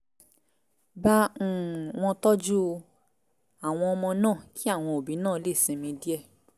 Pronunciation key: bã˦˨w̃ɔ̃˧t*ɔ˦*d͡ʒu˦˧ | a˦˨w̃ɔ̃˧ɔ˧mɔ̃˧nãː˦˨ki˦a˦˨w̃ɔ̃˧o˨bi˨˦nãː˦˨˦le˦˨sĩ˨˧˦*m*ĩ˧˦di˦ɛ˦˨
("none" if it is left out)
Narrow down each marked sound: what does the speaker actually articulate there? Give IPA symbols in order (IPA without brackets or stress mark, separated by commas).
ɔ˦, m